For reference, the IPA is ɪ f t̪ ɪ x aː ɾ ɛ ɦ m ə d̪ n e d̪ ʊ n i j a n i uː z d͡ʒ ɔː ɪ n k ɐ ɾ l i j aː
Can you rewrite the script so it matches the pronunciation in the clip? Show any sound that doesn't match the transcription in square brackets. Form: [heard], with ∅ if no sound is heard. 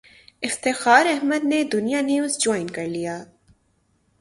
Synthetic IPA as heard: ɪ f t̪ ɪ x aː ɾ ɛ ɦ m ə d̪ n e d̪ ʊ n i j a n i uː z d͡ʒ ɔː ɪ n k ɐ ɾ l i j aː